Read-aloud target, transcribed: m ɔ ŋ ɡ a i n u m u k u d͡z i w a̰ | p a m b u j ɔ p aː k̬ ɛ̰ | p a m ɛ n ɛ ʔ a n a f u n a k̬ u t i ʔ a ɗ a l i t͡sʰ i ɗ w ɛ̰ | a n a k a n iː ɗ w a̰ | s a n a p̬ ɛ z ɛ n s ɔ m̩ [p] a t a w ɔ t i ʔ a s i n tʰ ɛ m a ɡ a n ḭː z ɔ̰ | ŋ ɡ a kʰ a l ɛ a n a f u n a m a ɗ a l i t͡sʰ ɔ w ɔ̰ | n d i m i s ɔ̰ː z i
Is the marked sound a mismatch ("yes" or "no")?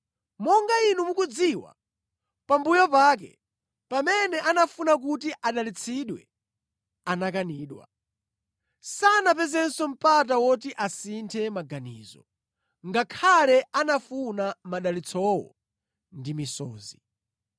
no